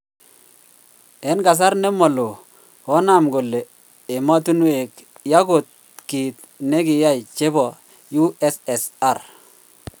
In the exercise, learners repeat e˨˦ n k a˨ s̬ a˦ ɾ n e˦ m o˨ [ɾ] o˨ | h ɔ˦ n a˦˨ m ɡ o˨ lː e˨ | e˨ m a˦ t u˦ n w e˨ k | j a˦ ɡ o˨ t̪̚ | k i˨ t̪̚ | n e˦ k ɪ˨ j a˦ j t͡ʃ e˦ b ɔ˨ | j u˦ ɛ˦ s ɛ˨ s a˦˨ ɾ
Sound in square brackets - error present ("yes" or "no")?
yes